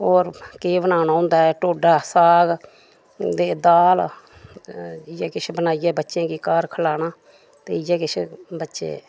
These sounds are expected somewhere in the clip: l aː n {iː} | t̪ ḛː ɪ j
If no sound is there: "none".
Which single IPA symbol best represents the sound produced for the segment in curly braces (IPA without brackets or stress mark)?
aː